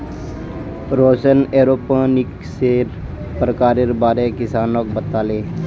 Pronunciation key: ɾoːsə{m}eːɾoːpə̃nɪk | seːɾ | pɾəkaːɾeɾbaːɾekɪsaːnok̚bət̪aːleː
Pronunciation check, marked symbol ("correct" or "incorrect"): incorrect